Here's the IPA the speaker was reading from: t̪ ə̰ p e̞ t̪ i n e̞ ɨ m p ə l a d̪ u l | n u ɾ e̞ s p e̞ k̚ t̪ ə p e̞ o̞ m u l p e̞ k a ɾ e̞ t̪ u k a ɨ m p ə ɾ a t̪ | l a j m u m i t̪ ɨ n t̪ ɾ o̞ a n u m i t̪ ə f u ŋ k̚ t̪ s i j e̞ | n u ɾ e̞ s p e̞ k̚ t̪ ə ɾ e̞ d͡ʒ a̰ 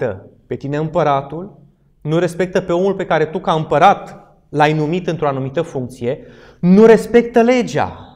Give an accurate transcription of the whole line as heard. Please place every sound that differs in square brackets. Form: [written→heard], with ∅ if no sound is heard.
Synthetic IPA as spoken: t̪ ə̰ p e̞ t̪ i n e̞ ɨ m p ə [l→ɾ] a [d̪→t̪] u l | n u ɾ e̞ s p e̞ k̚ t̪ ə p e̞ o̞ m u l p e̞ k a ɾ e̞ t̪ u k a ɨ m p ə ɾ a t̪ | l a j [m→n] u m i t̪ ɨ n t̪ ɾ o̞ a n u m i t̪ ə f u ŋ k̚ t̪ s i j e̞ | n u ɾ e̞ s p e̞ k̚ t̪ ə [ɾ→l] e̞ d͡ʒ a̰